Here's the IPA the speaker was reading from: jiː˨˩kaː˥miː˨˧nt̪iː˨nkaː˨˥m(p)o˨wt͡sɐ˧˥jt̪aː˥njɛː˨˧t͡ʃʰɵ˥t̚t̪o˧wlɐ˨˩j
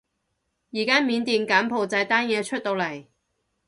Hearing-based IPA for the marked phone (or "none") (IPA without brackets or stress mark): pʰ